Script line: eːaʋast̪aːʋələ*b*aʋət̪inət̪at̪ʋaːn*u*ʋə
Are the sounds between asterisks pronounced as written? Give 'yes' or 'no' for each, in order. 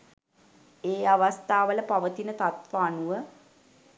no, yes

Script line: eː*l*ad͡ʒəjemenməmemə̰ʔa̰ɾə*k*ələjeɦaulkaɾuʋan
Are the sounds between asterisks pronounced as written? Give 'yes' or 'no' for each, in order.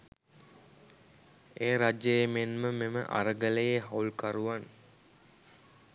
no, no

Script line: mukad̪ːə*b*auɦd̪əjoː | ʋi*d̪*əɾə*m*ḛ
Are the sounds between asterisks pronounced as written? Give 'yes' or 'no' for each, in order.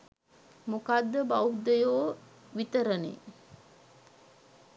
yes, no, no

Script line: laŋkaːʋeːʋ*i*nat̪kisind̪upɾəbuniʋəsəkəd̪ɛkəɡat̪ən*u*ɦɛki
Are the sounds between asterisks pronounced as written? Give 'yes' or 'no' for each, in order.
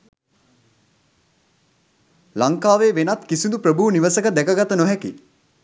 no, no

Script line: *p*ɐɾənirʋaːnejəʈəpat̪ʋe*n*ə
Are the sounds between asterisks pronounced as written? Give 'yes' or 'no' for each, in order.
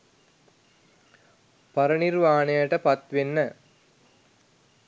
yes, no

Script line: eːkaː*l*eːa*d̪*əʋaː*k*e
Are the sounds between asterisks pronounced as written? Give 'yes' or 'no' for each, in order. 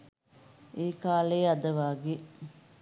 yes, yes, no

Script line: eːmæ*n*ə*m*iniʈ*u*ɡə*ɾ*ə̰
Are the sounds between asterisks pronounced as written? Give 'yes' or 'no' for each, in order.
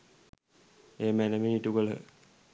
yes, yes, yes, no

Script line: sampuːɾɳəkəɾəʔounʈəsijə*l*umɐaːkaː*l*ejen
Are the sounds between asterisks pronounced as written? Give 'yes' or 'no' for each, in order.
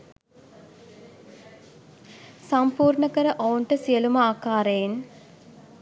yes, no

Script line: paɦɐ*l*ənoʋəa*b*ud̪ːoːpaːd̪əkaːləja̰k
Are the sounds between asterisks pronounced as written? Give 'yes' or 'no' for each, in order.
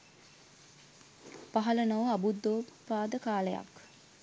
yes, yes

